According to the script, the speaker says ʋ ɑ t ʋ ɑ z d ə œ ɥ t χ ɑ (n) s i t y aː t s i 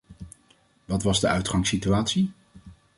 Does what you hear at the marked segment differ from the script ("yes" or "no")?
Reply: yes